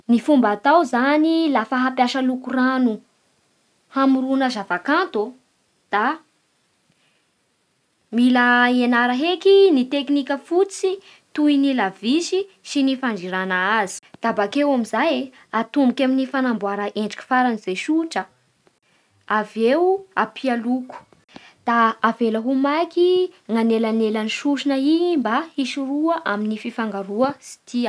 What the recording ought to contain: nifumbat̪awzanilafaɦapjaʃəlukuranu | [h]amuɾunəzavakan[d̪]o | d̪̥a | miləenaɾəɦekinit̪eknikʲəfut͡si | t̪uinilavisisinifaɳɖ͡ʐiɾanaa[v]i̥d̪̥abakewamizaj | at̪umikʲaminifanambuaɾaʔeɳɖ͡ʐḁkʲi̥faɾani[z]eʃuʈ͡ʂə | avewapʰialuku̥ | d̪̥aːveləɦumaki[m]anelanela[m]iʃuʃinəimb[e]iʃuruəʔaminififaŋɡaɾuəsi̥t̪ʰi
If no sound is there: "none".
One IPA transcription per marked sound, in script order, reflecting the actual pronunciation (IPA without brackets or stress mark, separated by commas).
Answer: h, t̪, z, z, ŋ, n, a